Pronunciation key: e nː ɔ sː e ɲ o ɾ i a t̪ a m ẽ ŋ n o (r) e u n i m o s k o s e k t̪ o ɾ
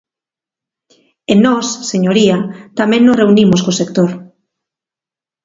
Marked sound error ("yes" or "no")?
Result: no